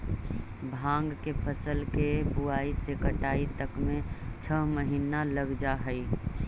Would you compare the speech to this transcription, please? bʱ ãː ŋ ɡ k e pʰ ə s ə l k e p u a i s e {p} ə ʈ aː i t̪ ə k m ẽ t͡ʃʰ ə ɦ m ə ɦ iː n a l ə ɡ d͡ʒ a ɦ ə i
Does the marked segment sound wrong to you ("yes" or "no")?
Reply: yes